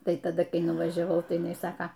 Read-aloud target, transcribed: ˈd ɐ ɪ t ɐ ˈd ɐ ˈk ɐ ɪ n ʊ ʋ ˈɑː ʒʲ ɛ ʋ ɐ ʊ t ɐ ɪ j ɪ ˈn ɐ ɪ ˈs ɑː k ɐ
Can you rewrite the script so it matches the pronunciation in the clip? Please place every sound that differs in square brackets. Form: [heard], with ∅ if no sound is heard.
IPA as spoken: [ˈt] ɐ ɪ t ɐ ˈd ɐ ˈk ɐ ɪ n ʊ ʋ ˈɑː ʒʲ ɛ ʋ ɐ ʊ t ɐ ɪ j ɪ ˈn ɐ ɪ ˈs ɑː k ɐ